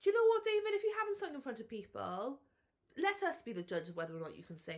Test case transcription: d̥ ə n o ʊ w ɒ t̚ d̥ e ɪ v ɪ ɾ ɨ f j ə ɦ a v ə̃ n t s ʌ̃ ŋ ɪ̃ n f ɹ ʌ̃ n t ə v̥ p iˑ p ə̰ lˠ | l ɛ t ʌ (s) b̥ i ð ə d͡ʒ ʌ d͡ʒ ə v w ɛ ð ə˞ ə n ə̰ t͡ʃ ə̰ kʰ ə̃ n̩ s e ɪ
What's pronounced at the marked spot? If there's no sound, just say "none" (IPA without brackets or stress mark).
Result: s